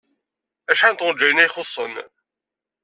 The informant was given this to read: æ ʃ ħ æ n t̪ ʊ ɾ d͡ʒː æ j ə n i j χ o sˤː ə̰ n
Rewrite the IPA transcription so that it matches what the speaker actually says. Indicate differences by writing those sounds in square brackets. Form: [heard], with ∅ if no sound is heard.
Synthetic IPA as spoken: æ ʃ ħ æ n t̪ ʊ ɾ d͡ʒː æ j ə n [æ] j χ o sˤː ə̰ n